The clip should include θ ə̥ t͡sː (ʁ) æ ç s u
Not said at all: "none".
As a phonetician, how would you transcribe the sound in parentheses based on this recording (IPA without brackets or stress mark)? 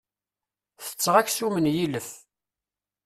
ʁ